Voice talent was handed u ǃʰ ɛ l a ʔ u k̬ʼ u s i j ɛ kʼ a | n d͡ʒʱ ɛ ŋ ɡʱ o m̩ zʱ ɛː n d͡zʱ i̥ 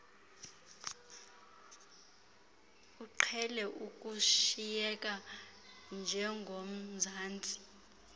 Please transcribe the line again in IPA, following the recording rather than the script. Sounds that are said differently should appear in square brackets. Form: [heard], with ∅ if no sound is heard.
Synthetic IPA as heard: u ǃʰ ɛ l [ɛ] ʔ u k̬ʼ u [ʃ] i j ɛ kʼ a | n d͡ʒʱ ɛ ŋ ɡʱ o m̩ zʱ [aː] n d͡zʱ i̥